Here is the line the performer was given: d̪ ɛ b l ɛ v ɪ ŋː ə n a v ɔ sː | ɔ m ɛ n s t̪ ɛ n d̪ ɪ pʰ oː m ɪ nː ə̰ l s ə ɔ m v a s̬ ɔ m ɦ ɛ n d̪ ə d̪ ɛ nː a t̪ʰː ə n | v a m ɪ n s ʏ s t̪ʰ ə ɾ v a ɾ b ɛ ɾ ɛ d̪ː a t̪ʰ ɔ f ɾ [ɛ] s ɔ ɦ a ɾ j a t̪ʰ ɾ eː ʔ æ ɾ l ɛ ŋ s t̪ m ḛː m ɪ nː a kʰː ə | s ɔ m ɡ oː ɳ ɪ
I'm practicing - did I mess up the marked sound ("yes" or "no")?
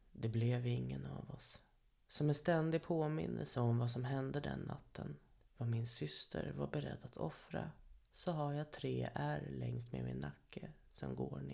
yes